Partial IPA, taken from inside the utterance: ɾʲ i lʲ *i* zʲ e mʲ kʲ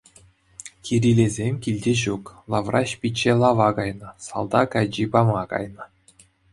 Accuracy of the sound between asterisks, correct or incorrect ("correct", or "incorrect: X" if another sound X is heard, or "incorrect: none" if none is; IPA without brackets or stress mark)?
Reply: incorrect: e